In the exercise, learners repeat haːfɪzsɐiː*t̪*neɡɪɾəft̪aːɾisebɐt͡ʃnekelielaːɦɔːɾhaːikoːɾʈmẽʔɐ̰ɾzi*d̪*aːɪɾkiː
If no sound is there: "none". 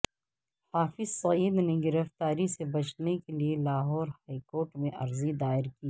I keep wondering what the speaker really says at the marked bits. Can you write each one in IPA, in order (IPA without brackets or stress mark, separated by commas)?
d̪, d̪